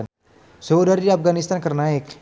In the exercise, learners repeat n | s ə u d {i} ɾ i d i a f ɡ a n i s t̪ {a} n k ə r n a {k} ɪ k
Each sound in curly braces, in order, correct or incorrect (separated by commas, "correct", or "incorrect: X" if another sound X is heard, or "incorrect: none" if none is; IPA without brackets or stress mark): incorrect: a, correct, incorrect: none